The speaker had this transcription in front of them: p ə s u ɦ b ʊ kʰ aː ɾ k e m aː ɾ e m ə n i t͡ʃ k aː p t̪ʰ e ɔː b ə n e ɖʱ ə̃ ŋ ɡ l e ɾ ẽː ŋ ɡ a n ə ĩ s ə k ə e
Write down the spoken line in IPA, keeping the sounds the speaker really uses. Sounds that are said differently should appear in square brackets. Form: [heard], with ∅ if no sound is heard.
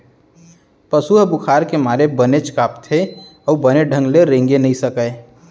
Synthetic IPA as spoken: p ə s u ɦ b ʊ kʰ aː ɾ k e m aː ɾ e [b] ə n [e] t͡ʃ k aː p t̪ʰ e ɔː b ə n e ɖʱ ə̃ ŋ ɡ l e ɾ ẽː ŋ ɡ [e] n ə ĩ s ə k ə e